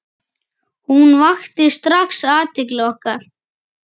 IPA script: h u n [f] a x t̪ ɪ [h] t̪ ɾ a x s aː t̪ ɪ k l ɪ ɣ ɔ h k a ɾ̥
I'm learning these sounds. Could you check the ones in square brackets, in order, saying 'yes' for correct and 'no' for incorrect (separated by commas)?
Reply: no, no